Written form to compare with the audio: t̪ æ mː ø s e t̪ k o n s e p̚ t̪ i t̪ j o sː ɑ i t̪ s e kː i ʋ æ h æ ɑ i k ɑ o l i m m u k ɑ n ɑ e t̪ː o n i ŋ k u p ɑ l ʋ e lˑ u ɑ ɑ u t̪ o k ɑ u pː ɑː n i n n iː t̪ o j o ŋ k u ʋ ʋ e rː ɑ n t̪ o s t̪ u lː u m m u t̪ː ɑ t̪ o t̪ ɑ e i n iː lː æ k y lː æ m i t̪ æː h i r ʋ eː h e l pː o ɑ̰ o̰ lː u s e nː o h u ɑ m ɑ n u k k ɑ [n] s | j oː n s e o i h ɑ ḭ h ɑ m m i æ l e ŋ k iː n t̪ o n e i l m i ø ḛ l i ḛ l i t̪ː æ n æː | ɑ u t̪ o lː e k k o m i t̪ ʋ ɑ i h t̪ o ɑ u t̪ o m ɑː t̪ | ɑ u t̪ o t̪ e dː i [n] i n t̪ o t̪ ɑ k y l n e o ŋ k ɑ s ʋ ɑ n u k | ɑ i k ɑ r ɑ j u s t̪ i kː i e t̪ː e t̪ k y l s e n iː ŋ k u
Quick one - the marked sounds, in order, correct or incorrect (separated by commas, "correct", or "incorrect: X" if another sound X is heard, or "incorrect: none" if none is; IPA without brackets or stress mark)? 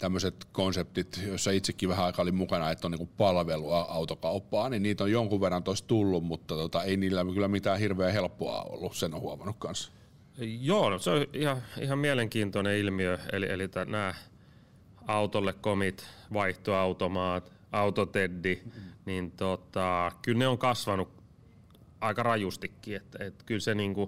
correct, correct